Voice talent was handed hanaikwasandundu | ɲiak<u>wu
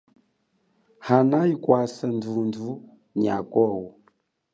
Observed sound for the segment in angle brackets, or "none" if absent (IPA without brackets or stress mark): ɔ